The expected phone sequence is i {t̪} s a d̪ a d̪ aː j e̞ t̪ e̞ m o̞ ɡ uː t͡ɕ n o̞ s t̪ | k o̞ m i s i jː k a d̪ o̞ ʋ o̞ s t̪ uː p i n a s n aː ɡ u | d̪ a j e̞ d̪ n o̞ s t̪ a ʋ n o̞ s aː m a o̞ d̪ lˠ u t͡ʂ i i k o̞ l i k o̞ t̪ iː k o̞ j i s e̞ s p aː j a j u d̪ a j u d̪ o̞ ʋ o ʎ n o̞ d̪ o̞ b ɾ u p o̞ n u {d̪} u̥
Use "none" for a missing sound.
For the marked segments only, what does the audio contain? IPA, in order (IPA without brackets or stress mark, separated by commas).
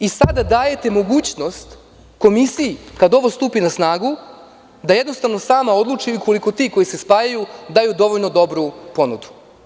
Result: none, d̪